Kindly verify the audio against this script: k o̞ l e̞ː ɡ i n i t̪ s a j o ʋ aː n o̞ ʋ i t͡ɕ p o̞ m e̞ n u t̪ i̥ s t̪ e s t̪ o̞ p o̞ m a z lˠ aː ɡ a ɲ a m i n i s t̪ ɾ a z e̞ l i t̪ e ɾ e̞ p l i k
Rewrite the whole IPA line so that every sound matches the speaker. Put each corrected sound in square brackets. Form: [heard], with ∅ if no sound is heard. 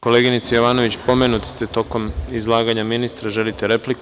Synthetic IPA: k o̞ l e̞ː ɡ i n i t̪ s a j o ʋ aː n o̞ ʋ i t͡ɕ p o̞ m e̞ n u t̪ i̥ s t̪ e [∅] t̪ o̞ [k] o̞ m [i] z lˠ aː ɡ a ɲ a m i n i s t̪ ɾ a [ʒ] e̞ l i t̪ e ɾ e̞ p l i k